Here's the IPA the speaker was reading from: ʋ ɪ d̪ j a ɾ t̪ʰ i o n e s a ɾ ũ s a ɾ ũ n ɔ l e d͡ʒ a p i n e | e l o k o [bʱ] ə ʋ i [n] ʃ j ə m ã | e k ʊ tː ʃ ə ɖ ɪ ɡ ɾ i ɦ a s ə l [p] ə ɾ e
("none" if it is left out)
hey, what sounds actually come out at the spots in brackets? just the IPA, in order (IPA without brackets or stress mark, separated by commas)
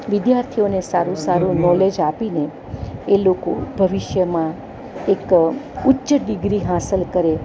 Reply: bʱ, none, k